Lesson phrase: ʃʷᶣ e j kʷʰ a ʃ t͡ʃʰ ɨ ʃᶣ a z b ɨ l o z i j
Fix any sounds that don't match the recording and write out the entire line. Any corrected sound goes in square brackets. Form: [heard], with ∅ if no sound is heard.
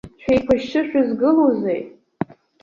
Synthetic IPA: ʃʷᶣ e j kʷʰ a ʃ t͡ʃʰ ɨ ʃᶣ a z [ɡ] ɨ l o z [e] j

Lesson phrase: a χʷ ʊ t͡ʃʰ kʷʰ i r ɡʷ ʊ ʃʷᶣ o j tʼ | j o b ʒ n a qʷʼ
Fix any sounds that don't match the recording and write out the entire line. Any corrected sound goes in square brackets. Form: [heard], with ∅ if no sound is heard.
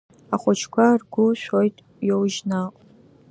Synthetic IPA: a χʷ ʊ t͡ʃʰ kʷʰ [a] r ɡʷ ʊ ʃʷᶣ o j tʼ | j o [w] ʒ n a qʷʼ

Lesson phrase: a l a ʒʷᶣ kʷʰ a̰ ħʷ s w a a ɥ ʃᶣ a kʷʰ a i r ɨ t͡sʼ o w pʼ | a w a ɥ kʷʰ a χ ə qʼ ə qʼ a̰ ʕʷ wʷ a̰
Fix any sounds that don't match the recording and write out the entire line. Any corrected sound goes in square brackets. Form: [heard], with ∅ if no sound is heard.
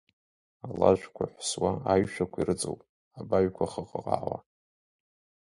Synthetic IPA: a l a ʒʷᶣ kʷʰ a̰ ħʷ s w a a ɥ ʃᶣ a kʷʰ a i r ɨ t͡sʼ o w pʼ | a [b] a ɥ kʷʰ a χ ə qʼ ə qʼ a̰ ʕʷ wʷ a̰

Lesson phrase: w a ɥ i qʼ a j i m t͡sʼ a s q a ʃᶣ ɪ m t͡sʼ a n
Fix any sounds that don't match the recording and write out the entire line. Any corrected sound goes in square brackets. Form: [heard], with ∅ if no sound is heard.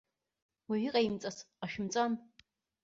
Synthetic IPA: w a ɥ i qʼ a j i m t͡sʼ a s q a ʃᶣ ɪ m t͡sʼ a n

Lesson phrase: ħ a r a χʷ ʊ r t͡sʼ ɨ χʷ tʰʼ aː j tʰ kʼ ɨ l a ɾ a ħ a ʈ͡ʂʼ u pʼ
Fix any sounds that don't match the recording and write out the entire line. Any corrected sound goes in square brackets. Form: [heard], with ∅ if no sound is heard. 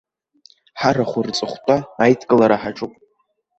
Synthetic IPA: ħ a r a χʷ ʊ r t͡sʼ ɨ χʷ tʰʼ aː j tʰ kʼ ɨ l a ɾ a ħ a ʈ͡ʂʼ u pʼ

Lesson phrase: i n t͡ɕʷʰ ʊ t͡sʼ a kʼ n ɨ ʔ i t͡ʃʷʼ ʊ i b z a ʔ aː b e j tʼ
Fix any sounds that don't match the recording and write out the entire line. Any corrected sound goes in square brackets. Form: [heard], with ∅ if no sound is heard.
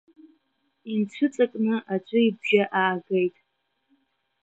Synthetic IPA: i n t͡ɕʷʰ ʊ t͡sʼ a kʼ n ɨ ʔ [a] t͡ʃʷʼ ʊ i b [ʒ] a ʔ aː [ɡ] e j tʼ

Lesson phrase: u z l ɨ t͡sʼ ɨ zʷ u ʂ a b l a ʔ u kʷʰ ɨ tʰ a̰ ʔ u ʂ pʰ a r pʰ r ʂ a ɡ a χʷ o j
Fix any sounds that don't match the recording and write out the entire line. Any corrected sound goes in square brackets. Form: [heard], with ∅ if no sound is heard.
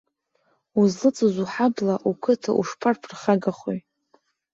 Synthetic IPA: u z l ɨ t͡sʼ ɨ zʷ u [ħ] a b l a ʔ u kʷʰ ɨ tʰ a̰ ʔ u ʂ pʰ a r pʰ r [χ] a ɡ a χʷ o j

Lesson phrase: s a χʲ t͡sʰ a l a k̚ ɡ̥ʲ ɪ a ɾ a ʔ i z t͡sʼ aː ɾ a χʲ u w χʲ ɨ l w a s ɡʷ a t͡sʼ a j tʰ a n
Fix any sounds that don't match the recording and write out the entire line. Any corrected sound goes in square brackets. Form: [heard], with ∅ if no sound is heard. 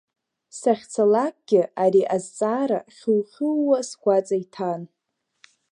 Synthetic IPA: s a χʲ t͡sʰ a l a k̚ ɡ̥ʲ ɪ a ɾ [i] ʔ [a] z t͡sʼ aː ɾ a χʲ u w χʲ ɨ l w a s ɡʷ a t͡sʼ a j tʰ a n

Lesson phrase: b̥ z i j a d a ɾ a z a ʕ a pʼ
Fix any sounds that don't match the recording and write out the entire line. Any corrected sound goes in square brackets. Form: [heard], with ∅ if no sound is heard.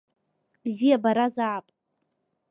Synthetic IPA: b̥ z i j a [b] a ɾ a z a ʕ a pʼ

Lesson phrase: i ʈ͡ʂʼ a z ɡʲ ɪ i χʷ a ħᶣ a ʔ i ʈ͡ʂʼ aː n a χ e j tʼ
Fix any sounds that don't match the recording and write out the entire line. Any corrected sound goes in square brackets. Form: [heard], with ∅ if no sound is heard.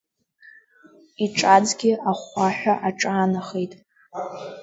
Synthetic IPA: i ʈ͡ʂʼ a [d͡z] ɡʲ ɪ [a] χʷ a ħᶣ a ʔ [a] ʈ͡ʂʼ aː n a χ e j tʼ

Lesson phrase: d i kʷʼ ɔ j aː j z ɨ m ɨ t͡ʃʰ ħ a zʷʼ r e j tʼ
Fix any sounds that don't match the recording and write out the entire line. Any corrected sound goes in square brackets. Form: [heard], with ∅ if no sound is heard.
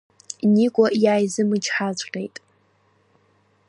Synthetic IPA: [n] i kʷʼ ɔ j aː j z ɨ m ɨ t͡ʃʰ ħ a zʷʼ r e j tʼ

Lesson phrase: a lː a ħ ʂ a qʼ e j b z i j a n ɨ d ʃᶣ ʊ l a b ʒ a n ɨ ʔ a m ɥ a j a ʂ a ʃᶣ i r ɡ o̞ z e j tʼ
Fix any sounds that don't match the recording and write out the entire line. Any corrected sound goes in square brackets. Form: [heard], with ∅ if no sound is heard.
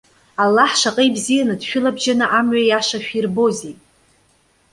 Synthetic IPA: a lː a ħ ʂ a qʼ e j b z i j a n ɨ d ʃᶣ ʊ l a b ʒ a n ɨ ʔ a m ɥ a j a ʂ a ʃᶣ i r [b] o̞ z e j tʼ

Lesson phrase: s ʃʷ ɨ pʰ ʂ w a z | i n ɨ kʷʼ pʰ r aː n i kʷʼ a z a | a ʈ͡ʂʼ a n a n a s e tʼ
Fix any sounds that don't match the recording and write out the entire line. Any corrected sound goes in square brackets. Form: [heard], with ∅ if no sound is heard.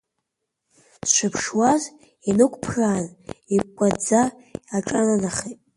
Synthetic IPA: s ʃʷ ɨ pʰ ʂ w a z | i n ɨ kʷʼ pʰ r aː n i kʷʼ a [d͡z] a | a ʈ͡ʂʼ a n a n a [χ] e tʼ

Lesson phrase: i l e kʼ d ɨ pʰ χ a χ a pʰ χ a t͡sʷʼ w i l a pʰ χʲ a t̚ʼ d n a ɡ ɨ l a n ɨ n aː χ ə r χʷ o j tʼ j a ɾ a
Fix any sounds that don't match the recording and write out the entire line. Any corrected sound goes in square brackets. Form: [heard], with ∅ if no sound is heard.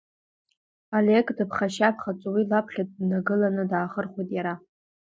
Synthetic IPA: [a] l e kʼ d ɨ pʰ χ a [ʃ] a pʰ χ a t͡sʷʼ w i l a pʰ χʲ a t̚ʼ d n a ɡ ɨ l a n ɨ [d] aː χ ə r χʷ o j tʼ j a ɾ a

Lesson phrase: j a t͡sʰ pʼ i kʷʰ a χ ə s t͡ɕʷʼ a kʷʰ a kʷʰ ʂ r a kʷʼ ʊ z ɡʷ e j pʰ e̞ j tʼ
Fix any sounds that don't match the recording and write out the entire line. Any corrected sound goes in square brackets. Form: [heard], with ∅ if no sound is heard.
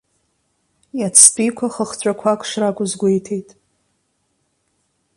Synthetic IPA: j a t͡sʰ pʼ i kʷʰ a χ ə [χ] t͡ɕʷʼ a kʷʰ a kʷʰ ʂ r a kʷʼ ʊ z ɡʷ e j [tʰ] e̞ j tʼ

